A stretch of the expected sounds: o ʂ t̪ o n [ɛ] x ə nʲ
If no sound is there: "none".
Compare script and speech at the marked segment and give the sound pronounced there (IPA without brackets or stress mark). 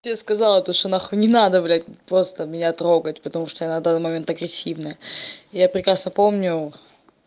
a